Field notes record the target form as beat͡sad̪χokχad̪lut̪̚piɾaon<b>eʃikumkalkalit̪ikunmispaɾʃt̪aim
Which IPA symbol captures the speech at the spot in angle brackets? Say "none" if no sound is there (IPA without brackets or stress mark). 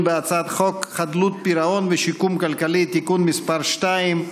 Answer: v